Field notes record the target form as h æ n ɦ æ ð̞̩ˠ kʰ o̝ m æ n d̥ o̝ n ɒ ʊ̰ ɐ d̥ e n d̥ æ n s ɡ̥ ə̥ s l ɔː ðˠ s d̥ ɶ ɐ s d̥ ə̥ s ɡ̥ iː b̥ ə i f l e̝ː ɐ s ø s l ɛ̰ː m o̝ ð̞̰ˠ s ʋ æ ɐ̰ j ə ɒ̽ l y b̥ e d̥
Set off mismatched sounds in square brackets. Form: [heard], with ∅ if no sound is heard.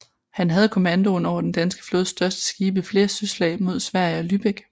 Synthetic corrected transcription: h æ n ɦ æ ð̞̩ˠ kʰ o̝ m æ n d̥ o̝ n ɒ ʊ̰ ɐ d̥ e n d̥ æ n s ɡ̥ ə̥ [f] l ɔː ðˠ s d̥ ɶ ɐ s d̥ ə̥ s ɡ̥ iː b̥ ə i f l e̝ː ɐ s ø s l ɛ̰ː m o̝ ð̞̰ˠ s ʋ æ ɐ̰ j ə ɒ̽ l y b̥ e [ɡ̥]